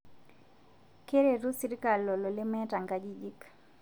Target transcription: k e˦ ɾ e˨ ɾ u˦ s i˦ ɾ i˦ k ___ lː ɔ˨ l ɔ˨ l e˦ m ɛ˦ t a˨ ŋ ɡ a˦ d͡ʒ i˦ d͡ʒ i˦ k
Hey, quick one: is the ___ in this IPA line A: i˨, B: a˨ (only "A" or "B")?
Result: B